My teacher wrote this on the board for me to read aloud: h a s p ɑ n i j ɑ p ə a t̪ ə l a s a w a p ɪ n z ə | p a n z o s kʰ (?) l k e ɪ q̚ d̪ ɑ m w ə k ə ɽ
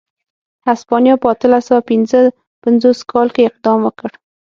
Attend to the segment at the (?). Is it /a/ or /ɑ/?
ɑ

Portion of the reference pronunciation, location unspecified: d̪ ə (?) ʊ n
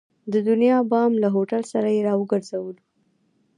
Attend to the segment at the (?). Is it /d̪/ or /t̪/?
d̪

